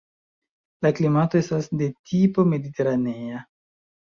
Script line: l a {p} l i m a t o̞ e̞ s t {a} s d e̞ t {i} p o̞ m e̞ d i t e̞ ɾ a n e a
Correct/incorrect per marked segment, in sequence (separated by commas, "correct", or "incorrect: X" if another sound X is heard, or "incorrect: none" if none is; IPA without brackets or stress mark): incorrect: k, correct, correct